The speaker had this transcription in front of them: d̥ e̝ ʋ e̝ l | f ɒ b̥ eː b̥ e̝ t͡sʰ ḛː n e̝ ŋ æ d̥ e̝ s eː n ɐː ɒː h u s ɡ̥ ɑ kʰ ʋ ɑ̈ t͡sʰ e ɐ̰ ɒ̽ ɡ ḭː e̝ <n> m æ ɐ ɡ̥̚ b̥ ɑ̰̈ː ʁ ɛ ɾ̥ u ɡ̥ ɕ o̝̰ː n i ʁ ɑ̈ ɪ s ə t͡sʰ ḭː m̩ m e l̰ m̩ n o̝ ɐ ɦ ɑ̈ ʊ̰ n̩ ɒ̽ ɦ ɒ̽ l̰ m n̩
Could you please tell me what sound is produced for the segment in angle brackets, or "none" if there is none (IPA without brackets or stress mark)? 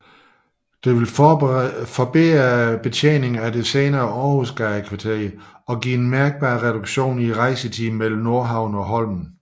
n